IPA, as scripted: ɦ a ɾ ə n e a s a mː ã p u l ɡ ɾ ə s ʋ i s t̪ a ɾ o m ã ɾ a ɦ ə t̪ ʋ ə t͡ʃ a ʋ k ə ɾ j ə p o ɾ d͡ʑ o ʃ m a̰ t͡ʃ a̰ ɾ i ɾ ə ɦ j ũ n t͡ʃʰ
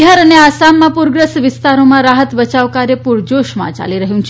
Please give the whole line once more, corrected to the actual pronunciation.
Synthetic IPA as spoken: ɦ ə ɾ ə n e a s a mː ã p u ɾ ɡ ɾ ə s ʋ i s t̪ a ɾ o m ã ɾ a ɦ ə t̪ ʋ ə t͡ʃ a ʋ k a ɾ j ə p u ɾ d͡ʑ o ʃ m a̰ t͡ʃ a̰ l i ɾ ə ɦ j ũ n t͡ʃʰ